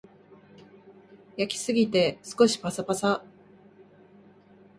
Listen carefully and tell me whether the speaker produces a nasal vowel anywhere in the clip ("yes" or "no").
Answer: no